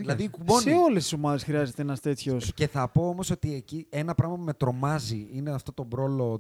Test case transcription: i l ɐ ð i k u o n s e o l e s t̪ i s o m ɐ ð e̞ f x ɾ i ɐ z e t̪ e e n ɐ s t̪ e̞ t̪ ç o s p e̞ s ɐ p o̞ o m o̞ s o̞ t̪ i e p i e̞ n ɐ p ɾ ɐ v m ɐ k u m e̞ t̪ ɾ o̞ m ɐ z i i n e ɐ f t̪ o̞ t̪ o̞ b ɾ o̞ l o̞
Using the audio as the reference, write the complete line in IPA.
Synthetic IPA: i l ɐ ð i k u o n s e o l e s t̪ i s o m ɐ ð e̞ s x ɾ i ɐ z e t̪ e e n ɐ s t̪ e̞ t̪ ç o s c e̞ θ ɐ p o̞ o m o̞ s o̞ t̪ i e c i e̞ n ɐ p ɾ ɐ ɣ m ɐ p u m e̞ t̪ ɾ o̞ m ɐ z i i n e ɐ f t̪ o̞ t̪ o̞ b ɾ o̞ l o̞